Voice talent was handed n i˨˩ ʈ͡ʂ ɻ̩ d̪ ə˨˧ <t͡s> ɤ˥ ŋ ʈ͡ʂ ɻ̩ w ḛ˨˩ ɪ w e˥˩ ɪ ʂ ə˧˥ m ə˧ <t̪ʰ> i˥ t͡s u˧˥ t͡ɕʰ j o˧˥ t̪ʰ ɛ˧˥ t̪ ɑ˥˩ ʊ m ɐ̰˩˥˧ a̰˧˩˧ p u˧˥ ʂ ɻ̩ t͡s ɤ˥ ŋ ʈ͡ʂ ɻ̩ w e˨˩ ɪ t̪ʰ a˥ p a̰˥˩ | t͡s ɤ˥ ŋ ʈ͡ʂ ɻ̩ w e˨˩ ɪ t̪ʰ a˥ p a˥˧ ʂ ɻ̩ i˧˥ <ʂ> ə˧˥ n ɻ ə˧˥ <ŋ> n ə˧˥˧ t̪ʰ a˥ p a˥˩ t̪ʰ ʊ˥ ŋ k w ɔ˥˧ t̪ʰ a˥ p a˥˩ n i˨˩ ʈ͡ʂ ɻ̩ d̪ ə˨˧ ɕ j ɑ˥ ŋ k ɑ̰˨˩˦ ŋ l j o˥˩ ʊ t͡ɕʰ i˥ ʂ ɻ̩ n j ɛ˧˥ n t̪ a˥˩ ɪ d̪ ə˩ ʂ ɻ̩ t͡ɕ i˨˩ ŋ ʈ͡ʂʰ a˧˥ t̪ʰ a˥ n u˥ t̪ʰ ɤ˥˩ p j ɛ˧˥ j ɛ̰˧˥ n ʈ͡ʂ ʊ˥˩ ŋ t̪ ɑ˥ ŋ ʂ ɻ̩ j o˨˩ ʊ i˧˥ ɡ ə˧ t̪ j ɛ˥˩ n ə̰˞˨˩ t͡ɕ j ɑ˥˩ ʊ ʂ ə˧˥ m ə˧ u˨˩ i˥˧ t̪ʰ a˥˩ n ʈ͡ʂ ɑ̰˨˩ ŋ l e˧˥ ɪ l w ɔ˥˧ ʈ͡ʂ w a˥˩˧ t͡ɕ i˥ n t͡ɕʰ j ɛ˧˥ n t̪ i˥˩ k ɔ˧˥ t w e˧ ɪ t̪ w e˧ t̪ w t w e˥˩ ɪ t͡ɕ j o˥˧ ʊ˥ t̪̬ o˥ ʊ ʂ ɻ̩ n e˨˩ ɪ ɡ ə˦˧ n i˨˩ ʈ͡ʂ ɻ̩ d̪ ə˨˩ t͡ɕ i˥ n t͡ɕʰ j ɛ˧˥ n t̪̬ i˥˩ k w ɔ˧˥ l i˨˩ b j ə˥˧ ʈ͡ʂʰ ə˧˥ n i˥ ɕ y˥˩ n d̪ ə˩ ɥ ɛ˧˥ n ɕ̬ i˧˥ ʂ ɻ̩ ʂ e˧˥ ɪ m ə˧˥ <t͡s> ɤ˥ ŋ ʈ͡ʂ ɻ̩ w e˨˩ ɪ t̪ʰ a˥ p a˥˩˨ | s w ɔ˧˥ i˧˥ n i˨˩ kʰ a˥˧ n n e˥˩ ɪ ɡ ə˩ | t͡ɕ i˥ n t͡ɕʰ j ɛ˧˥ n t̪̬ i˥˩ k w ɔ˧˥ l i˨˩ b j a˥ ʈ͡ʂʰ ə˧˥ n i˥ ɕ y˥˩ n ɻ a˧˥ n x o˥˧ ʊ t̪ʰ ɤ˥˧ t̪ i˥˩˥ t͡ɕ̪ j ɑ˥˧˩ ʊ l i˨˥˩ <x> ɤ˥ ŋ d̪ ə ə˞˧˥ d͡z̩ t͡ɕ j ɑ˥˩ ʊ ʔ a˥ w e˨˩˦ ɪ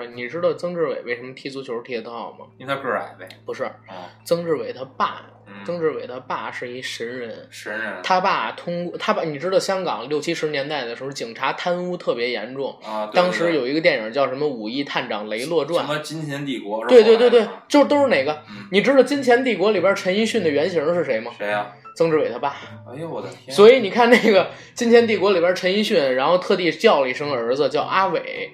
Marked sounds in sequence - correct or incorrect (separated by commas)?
correct, correct, correct, incorrect, correct, incorrect